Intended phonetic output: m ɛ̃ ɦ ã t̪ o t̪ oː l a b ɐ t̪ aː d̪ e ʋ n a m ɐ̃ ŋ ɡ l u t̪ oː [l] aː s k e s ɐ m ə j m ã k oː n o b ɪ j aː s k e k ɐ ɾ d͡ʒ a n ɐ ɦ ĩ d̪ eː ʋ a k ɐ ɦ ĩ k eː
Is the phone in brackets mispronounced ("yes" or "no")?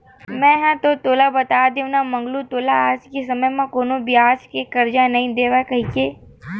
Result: no